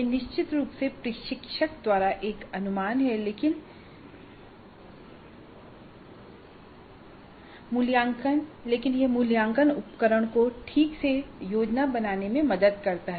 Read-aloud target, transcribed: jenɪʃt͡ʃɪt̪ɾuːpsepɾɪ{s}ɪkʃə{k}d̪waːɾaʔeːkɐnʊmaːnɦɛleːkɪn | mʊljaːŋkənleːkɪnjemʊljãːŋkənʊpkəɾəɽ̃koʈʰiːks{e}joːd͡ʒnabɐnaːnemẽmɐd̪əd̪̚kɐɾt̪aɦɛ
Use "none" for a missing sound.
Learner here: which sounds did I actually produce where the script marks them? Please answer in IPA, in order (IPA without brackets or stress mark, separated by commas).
ʃ, k, e